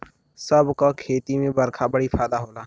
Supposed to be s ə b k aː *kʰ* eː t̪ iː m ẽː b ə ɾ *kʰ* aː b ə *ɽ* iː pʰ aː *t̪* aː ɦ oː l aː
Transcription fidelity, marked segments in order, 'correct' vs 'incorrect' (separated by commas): correct, correct, correct, incorrect